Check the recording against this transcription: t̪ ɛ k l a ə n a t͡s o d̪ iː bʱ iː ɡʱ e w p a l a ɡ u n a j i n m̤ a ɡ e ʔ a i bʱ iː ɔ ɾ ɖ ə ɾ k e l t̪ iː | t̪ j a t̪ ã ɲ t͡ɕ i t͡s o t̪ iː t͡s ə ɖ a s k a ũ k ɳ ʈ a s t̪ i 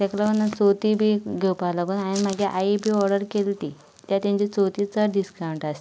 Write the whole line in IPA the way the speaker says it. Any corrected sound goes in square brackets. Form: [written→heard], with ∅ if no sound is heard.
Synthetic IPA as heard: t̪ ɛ k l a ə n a t͡s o [d̪→t̪] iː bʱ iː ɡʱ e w p a l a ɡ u n a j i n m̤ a ɡ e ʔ a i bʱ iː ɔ ɾ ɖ ə ɾ k e l t̪ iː | t̪ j a t̪ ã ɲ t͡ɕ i t͡s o t̪ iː t͡s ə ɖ [a→i] s k a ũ [k→∅] ɳ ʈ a s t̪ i